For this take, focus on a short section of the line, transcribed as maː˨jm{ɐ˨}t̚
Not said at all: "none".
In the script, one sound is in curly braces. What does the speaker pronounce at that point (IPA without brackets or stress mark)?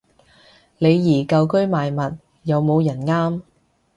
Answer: ɐ˨